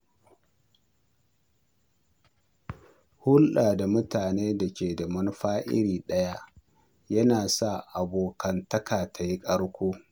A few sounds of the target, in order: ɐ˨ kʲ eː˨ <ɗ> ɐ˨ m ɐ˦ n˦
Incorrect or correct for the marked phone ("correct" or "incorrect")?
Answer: incorrect